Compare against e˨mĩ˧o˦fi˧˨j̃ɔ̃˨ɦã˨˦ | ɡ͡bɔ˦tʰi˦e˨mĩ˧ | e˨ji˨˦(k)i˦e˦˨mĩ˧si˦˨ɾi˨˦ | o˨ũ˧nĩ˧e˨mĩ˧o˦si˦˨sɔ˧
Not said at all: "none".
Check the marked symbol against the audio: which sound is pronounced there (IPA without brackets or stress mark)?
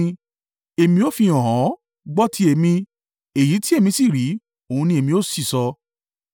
t